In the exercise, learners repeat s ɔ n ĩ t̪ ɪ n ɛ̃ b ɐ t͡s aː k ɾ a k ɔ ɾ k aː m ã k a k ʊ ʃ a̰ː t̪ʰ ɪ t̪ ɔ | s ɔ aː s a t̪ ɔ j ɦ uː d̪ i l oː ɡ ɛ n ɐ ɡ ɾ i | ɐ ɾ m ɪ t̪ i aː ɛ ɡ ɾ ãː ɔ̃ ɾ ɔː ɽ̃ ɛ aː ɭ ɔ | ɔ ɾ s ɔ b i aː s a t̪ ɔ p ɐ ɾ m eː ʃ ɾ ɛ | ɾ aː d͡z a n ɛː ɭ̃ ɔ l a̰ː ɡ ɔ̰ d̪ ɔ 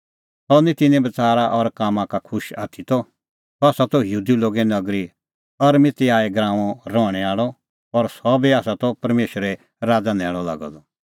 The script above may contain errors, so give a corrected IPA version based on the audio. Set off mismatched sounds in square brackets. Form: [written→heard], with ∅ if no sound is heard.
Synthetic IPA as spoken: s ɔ n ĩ t̪ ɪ n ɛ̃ b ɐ t͡s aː [k→∅] ɾ a [k→ʔ] ɔ ɾ k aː m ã k a [k→kʰ] ʊ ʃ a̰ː t̪ʰ [ɪ→i] t̪ ɔ | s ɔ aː s a t̪ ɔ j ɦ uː d̪ i l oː ɡ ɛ n ɐ ɡ ɾ i | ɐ ɾ m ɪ t̪ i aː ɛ ɡ ɾ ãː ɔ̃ ɾ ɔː ɽ̃ ɛ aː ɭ ɔ | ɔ ɾ s ɔ b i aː s a t̪ ɔ p ɐ ɾ m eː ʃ ɾ ɛ | ɾ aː d͡z a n ɛː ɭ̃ ɔ l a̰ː ɡ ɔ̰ d̪ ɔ

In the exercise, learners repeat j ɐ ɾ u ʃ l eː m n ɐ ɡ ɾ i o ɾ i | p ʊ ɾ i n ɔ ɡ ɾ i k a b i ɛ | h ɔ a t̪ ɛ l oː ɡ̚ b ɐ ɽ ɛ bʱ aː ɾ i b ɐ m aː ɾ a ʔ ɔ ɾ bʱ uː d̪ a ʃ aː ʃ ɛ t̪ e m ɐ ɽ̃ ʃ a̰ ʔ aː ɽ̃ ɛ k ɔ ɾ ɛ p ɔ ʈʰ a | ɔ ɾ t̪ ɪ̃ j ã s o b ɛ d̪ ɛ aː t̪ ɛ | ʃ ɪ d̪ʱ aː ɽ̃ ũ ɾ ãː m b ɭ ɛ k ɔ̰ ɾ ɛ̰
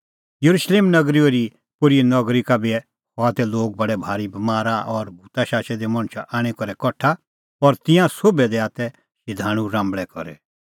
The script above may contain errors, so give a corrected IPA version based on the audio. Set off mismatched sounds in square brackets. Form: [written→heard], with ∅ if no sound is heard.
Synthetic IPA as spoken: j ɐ ɾ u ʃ l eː m n ɐ ɡ ɾ i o ɾ i | p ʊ ɾ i n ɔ ɡ ɾ i k a b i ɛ | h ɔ a t̪ ɛ l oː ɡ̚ b ɐ ɽ ɛ bʱ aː ɾ i b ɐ m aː ɾ a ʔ ɔ ɾ bʱ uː [d̪→t̪] a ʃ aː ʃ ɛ [t̪→d̪] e m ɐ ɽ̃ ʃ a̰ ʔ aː ɽ̃ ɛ k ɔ ɾ ɛ [p→k] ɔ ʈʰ a | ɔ ɾ t̪ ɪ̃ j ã s o b ɛ d̪ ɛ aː t̪ ɛ | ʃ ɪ d̪ʱ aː ɽ̃ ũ ɾ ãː m b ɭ ɛ k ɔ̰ ɾ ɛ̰

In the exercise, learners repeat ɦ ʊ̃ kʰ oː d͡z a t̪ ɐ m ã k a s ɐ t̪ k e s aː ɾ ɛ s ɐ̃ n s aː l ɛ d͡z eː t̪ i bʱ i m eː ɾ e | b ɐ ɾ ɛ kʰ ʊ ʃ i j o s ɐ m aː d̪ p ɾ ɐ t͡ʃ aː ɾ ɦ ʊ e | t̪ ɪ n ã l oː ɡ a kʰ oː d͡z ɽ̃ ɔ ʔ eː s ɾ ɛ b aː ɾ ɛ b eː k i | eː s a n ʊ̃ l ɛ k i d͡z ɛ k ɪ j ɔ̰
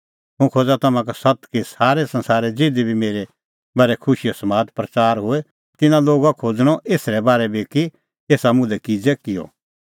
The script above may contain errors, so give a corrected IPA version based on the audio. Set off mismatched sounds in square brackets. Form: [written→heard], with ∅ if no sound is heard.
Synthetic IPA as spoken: ɦ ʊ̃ kʰ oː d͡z a t̪ ɐ m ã k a s ɐ t̪ k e s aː ɾ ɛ s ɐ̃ n s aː [l→ɾ] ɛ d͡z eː [t̪→d̪] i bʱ i m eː ɾ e | b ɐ ɾ ɛ kʰ ʊ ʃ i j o s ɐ m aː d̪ p ɾ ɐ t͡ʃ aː ɾ ɦ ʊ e | t̪ ɪ n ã l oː ɡ a kʰ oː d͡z ɽ̃ ɔ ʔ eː s ɾ ɛ b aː ɾ ɛ b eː k i | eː s a [n→m] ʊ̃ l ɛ k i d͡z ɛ k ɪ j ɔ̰

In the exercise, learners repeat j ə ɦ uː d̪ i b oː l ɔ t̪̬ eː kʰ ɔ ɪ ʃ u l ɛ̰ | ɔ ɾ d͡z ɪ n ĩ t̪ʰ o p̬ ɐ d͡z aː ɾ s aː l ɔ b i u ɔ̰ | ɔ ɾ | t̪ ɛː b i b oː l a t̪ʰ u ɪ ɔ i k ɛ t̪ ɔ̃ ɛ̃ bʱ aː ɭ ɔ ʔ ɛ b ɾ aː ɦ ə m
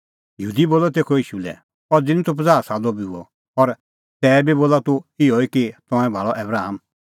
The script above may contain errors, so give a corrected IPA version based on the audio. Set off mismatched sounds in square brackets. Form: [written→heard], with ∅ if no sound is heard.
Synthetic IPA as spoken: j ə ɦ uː d̪ i b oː l ɔ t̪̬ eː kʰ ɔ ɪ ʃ u l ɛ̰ | ɔ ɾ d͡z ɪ n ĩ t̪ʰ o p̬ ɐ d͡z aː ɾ s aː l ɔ b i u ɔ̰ | ɔ ɾ | t̪ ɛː b i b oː l a [t̪ʰ→t̪] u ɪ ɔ i k [ɛ→i] t̪ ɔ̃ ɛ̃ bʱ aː ɭ ɔ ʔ ɛ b ɾ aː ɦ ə m

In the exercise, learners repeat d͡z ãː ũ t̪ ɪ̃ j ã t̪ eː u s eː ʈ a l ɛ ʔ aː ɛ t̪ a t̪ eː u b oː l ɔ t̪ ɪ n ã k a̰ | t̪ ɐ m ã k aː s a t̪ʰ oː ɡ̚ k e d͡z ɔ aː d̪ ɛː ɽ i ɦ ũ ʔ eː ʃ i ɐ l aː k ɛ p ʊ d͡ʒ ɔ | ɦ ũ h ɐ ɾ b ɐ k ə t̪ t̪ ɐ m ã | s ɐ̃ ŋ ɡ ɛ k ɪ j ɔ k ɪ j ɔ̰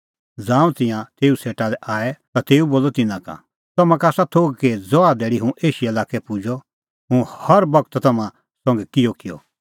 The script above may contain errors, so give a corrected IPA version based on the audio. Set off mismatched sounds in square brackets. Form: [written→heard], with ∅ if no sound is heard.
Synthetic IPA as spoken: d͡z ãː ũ t̪ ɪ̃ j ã t̪ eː u s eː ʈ a l ɛ ʔ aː ɛ t̪ a t̪ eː u b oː l ɔ t̪ ɪ n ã k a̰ | t̪ ɐ m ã k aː s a t̪ʰ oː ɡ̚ k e d͡z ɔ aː d̪ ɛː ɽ i ɦ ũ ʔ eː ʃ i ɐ l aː k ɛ p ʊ d͡ʒ ɔ | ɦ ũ h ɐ ɾ b ɐ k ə t̪ t̪ ɐ m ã | s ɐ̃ ŋ ɡ ɛ k ɪ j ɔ k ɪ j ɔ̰

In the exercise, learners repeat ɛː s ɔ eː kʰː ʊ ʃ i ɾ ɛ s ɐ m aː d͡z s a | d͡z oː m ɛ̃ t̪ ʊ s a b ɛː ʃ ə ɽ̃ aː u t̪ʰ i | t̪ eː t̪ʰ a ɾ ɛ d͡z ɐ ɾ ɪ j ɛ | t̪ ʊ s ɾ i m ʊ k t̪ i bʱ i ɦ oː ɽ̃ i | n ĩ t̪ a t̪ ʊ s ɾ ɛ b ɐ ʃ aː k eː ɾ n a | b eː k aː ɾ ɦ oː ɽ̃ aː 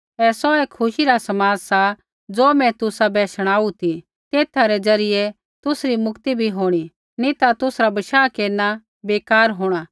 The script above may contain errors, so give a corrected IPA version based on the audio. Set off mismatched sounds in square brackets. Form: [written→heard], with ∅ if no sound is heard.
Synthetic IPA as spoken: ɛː s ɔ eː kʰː ʊ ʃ i ɾ [ɛ→a] s ɐ m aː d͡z s a | d͡z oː m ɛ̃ t̪ ʊ s a b ɛː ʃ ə ɽ̃ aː u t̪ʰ i | t̪ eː t̪ʰ a ɾ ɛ d͡z ɐ ɾ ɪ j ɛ | t̪ ʊ s ɾ i m ʊ k t̪ i bʱ i ɦ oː ɽ̃ i | n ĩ t̪ a t̪ ʊ s ɾ [ɛ→a] b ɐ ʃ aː k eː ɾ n a | b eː k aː ɾ ɦ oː ɽ̃ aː

